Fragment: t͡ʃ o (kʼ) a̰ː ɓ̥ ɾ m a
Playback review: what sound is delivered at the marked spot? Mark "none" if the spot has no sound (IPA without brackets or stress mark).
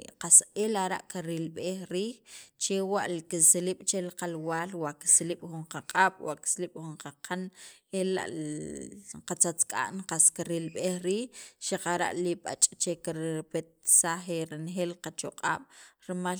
qʼ